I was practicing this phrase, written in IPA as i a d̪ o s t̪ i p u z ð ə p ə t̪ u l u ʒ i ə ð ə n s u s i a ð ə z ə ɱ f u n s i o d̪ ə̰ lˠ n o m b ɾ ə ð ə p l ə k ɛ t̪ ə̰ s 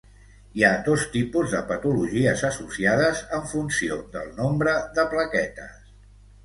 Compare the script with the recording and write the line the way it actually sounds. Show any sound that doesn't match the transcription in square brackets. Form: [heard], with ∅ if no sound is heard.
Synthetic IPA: i a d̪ o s t̪ i p u z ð ə p ə t̪ u l u ʒ i ə [z] ə [∅] s u s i a ð ə z ə ɱ f u n s i o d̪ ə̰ lˠ n o m b ɾ ə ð ə p l ə k ɛ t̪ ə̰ s

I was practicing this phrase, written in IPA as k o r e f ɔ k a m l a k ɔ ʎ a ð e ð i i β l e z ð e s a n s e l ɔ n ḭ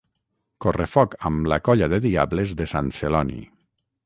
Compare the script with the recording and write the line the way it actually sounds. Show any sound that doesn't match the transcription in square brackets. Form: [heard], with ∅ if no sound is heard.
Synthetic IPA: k o r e f ɔ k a m l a k ɔ ʎ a ð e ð i [a] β l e z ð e s a n s e l ɔ n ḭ

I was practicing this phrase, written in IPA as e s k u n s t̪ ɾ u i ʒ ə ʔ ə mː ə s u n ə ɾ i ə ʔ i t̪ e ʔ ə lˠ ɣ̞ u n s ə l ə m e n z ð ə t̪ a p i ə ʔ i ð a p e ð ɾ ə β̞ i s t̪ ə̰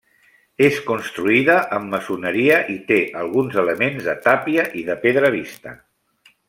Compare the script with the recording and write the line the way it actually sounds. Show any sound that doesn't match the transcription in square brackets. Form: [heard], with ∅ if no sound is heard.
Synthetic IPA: e s k u n s t̪ ɾ u i [ð] ə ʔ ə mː ə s u n ə ɾ i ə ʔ i t̪ e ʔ ə lˠ ɣ̞ u n [z] ə l ə m e n z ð ə t̪ a p i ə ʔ i ð [ə] p e ð ɾ ə β̞ i s t̪ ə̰

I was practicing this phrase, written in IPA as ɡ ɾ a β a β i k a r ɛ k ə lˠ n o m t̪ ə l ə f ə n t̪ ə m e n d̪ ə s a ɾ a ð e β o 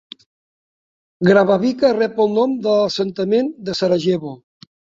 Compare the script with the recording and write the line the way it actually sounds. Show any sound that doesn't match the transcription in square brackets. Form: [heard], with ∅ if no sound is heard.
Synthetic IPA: ɡ ɾ a β a β i k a r ɛ [p] ə lˠ n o m [d̪] ə l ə [s] ə n t̪ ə m e n d̪ ə s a ɾ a [ʒ] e β o

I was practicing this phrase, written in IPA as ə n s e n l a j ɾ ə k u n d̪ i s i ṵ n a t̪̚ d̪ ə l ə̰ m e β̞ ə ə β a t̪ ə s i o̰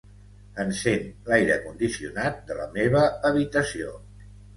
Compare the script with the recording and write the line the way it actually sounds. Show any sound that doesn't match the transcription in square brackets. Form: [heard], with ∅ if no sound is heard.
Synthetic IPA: ə n s e n l a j ɾ ə k u n d̪ i s i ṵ n a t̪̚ d̪ ə l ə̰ m e β̞ ə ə β [i] t̪ ə s i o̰

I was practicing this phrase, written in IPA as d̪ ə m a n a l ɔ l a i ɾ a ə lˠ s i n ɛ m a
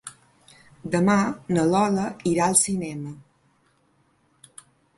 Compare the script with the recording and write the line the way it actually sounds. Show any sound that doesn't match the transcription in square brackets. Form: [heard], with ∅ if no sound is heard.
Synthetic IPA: d̪ ə m a n [ə] l ɔ l [ə] i ɾ a ə lˠ s i n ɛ m [ə]

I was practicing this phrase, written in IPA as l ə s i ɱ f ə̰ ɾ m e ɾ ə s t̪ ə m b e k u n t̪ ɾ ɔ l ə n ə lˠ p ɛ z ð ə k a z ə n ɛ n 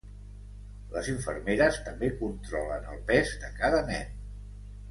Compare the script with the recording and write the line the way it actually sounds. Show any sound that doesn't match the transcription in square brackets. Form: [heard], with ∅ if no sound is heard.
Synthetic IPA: l ə [z] i ɱ f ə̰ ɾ m e ɾ ə s t̪ ə m b e k u n t̪ ɾ ɔ l ə n ə lˠ p ɛ z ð ə k a [ð] ə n ɛ n

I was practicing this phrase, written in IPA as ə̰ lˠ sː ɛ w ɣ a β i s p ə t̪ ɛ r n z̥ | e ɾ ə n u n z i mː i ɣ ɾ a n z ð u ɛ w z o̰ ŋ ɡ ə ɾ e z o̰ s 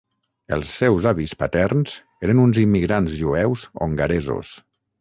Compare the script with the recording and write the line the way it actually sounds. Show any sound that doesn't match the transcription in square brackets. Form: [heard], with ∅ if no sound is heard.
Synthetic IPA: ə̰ lˠ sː ɛ w [z] a β i s p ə t̪ ɛ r n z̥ | e ɾ ə n u n z i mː i ɣ ɾ a n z [ʒ] u ɛ w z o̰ ŋ ɡ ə ɾ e z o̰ s

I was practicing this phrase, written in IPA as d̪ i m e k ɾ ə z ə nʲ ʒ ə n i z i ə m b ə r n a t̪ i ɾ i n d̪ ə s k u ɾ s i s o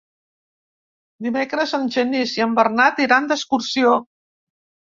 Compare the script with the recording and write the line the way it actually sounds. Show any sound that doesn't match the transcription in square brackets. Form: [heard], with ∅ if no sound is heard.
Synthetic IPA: d̪ i m e k ɾ ə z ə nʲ ʒ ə n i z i ə m b ə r n a t̪ i ɾ [a] n d̪ ə s k u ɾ s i [∅] o

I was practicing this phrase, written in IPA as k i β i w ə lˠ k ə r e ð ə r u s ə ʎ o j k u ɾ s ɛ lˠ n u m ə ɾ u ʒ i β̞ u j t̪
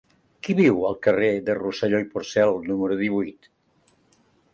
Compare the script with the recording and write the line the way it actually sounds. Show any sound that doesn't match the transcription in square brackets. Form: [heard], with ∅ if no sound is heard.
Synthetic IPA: k i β i w ə lˠ k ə r e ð ə r u s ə ʎ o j [p] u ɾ s ɛ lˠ n u m ə ɾ u [ð] i β̞ u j t̪

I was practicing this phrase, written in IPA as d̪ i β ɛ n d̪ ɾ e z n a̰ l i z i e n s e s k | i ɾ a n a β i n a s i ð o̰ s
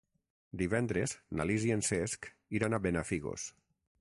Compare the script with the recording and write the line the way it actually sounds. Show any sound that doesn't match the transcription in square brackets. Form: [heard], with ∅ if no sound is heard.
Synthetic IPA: d̪ i β ɛ n d̪ ɾ e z n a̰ l i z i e n s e s k | i ɾ a n a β [e] n a [f] i [ɣ] o̰ s

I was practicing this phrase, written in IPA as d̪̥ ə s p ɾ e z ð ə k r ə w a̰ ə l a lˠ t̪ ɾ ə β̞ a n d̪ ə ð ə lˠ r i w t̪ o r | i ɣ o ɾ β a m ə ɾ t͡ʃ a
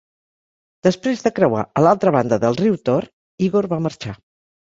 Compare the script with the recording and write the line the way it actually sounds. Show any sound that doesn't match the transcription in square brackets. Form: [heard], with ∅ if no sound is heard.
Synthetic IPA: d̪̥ ə s p ɾ e z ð ə k [ɾ] ə w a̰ ə l a lˠ t̪ ɾ ə β̞ a n d̪ ə ð ə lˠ r i w t̪ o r | i ɣ o ɾ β a m ə ɾ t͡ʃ a

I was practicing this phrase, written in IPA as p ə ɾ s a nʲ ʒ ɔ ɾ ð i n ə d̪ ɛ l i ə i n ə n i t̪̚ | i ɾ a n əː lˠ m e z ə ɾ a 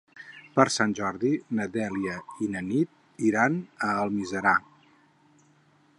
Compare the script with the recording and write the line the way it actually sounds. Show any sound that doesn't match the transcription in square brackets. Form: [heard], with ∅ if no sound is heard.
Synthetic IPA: p ə ɾ s a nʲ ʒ ɔ ɾ ð i n ə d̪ ɛ l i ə i n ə n i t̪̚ | i ɾ a n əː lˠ m [i] z ə ɾ a

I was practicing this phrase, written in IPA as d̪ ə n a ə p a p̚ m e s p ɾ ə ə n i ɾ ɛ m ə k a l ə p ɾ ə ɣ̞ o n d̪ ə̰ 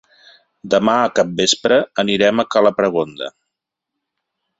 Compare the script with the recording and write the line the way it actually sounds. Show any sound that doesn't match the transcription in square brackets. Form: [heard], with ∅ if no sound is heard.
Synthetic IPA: d̪ ə [m] a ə [k] a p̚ [b] e s p ɾ ə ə n i ɾ ɛ m ə k a l ə p ɾ ə ɣ̞ o n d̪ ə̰

